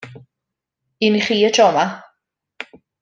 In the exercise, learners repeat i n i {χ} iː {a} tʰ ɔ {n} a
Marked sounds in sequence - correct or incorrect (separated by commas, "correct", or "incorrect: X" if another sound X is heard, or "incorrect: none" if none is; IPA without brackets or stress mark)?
correct, incorrect: ə, incorrect: m